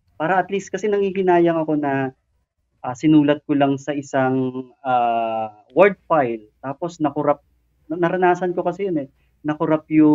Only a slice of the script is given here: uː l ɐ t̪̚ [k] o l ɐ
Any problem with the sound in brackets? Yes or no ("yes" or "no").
no